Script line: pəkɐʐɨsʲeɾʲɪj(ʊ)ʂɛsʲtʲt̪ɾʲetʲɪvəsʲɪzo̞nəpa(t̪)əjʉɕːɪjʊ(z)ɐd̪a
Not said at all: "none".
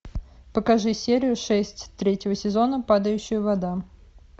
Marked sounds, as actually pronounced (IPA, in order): ʊ, d̪, v

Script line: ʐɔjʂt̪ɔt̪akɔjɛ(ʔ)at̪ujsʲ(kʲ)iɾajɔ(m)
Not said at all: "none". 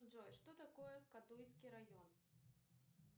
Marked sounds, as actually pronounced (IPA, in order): k, kʲ, n

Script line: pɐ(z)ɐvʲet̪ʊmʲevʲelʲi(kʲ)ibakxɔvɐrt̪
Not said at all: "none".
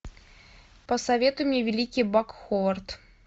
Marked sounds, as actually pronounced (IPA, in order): s, kʲ

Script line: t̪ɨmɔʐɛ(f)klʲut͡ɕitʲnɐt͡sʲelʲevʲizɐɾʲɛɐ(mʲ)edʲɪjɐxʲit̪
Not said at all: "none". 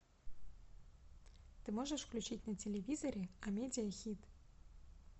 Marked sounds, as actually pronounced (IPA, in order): ʂ, mʲ

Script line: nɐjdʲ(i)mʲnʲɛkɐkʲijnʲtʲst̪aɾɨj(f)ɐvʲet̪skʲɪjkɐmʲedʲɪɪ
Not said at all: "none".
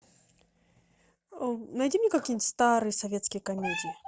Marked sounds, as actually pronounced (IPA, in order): i, s

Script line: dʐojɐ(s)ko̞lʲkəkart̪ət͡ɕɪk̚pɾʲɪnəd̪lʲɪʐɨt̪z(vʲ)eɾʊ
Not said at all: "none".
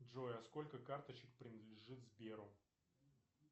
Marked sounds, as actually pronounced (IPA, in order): s, bʲ

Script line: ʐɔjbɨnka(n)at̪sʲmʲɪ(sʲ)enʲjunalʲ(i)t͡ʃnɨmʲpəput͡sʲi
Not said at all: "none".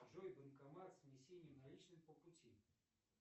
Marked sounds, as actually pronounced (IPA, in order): m, sʲ, i

